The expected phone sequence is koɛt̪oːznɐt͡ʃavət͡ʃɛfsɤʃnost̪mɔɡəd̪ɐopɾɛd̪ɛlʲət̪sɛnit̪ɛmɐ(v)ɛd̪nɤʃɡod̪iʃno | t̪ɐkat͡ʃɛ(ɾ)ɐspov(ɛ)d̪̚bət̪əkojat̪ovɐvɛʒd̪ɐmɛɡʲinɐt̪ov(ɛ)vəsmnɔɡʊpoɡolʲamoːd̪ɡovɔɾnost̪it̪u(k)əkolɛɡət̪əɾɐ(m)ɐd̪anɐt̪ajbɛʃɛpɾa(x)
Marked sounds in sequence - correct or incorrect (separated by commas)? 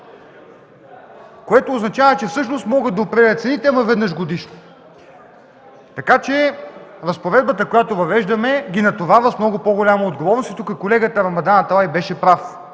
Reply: correct, correct, correct, incorrect, correct, correct, incorrect